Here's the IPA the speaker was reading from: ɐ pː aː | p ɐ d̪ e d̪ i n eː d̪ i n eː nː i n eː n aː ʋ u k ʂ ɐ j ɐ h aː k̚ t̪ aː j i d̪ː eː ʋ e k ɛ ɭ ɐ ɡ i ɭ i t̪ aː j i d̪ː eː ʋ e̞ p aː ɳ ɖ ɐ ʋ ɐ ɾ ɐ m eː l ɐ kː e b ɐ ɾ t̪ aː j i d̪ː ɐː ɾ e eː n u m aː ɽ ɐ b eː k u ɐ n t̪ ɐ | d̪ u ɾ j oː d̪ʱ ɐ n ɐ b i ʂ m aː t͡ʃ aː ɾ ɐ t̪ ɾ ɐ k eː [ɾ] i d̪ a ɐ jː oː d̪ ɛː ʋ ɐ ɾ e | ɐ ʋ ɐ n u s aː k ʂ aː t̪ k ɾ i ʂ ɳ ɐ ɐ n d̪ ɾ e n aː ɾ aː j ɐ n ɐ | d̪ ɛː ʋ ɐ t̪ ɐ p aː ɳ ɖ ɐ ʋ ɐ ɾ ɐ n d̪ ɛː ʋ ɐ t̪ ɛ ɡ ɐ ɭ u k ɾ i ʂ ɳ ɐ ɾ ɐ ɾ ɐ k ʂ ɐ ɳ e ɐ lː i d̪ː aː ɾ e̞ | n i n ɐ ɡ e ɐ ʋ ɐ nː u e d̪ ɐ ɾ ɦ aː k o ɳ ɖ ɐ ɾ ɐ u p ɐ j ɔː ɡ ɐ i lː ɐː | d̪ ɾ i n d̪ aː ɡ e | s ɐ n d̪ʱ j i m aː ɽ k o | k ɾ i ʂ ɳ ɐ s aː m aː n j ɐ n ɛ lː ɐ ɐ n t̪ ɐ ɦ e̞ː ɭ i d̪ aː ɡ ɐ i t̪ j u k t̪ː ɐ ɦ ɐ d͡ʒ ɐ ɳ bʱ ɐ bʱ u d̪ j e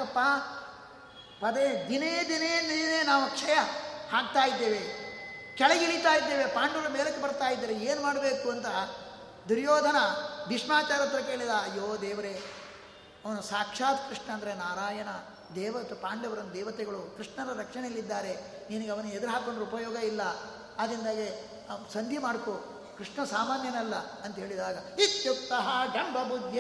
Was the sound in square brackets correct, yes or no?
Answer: no